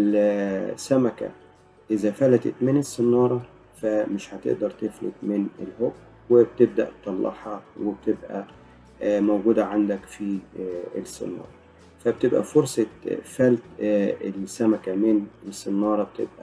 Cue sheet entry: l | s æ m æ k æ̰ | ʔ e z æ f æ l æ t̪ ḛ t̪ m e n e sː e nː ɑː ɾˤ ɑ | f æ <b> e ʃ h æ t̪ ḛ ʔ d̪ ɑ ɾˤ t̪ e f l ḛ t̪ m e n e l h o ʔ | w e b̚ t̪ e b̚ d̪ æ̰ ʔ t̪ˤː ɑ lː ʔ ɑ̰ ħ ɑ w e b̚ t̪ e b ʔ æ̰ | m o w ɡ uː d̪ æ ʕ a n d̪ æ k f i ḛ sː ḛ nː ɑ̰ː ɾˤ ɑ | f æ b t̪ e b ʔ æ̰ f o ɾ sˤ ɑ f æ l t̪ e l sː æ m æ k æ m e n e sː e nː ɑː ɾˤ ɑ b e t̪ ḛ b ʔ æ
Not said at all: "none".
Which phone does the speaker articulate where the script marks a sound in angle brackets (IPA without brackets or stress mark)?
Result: m